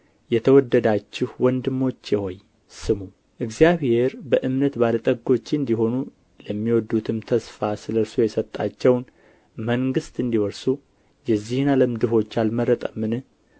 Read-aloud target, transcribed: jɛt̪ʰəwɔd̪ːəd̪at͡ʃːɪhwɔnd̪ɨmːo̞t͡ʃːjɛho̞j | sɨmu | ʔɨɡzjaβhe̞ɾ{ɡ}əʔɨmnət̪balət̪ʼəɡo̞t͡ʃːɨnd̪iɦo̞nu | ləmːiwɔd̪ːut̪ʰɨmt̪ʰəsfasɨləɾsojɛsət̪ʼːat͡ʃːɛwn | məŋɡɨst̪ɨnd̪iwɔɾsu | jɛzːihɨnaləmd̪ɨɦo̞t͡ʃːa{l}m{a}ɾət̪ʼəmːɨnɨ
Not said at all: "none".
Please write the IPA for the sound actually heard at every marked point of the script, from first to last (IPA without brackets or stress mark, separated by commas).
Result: b, l, ə